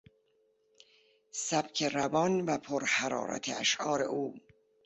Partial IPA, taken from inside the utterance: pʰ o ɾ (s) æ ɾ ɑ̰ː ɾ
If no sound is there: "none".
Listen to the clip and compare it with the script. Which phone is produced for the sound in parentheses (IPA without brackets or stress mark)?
h